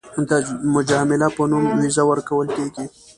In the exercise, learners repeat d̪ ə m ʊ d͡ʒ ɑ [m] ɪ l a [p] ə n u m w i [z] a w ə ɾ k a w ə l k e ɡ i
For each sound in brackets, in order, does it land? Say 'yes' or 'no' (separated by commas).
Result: yes, yes, yes